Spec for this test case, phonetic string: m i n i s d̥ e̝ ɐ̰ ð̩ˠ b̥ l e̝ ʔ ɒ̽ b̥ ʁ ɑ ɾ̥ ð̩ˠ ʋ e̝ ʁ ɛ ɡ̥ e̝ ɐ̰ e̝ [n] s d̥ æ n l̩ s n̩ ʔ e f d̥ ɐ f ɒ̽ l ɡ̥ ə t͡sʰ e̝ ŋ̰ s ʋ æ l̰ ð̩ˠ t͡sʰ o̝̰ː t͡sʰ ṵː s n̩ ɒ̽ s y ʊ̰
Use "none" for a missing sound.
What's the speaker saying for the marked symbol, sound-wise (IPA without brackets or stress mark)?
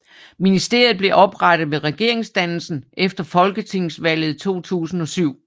ŋ